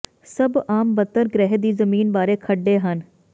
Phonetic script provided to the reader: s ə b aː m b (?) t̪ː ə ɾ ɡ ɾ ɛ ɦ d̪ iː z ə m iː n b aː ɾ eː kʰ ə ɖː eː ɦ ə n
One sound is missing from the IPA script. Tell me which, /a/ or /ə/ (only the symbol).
ə